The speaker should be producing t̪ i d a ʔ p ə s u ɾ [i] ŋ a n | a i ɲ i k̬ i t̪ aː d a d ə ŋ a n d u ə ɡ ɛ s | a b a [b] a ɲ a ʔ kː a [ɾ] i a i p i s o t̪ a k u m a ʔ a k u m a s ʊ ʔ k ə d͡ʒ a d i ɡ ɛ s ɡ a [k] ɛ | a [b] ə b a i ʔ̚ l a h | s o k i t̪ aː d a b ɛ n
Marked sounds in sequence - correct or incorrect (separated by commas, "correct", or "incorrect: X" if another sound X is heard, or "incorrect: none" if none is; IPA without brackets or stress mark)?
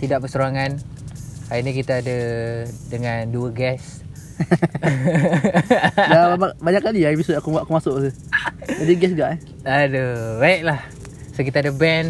incorrect: a, correct, incorrect: l, incorrect: ʔ, incorrect: d